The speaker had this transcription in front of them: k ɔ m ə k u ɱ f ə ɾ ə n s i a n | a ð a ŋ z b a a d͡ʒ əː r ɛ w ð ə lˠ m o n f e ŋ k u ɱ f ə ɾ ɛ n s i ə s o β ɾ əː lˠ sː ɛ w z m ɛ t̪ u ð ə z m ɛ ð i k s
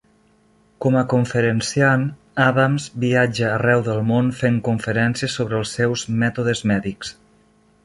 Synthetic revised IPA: k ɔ m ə k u ɱ f ə ɾ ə n s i a n | a ð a m z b i a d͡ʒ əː r ɛ w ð ə lˠ m o n f e ŋ k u ɱ f ə ɾ ɛ n s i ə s o β ɾ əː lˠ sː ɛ w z m ɛ t̪ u ð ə z m ɛ ð i k s